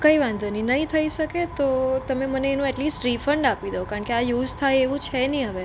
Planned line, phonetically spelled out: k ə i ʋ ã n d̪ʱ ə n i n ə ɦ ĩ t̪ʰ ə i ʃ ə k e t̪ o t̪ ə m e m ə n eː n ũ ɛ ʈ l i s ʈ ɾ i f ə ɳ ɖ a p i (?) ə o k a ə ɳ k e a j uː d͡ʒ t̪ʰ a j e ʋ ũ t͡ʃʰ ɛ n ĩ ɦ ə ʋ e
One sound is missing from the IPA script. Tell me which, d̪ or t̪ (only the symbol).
d̪